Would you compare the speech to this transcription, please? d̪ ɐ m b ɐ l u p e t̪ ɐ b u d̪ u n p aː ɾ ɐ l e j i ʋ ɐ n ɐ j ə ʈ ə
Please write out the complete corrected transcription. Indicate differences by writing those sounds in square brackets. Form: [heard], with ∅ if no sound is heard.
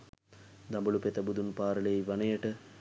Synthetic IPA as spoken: d̪ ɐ m b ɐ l u p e t̪ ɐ b u d̪ u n p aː ɾ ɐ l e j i ʋ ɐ n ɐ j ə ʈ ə